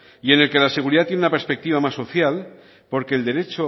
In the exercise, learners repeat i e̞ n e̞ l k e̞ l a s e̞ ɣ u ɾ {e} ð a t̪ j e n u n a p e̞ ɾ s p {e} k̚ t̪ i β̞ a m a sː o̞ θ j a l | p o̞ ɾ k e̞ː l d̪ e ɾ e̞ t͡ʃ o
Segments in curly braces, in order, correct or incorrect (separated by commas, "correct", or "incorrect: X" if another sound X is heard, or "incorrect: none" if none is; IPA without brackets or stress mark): incorrect: i, correct